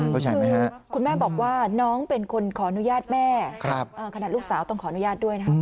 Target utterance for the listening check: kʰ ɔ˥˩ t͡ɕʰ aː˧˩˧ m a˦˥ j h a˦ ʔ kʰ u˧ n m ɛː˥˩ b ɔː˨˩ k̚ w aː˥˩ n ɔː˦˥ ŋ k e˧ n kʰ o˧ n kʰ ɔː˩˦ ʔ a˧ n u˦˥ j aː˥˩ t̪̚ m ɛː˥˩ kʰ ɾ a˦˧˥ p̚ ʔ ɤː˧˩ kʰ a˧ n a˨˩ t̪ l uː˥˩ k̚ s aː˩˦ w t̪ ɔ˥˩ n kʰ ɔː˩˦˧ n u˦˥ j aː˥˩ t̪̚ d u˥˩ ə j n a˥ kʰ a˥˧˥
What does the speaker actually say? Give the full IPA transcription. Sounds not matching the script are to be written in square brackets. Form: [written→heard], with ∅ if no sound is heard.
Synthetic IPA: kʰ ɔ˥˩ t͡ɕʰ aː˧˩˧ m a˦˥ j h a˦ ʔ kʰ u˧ n m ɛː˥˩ b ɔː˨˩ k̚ w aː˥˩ n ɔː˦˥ ŋ [k→p] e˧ n kʰ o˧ n kʰ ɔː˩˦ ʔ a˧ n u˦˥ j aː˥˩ t̪̚ m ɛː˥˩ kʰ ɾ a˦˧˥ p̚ ʔ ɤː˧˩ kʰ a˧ n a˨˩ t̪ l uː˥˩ k̚ s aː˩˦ w t̪ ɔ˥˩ [n→ŋ] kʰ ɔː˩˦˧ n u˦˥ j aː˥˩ t̪̚ d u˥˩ ə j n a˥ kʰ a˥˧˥